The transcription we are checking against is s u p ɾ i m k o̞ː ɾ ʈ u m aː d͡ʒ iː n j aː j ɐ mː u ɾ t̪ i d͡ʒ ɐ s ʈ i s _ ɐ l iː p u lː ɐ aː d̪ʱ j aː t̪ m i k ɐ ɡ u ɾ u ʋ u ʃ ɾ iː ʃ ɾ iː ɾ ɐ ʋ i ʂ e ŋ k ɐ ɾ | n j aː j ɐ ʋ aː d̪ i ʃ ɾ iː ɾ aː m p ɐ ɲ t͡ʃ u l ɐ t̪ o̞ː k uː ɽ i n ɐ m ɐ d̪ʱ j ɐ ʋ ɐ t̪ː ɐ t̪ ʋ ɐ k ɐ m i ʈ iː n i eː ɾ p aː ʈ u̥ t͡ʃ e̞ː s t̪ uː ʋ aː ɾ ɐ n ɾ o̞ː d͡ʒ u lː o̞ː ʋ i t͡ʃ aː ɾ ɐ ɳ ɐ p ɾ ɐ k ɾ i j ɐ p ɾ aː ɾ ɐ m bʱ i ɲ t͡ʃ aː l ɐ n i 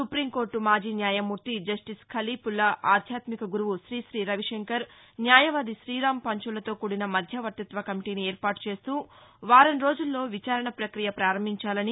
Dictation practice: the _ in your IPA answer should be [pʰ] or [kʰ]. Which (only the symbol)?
kʰ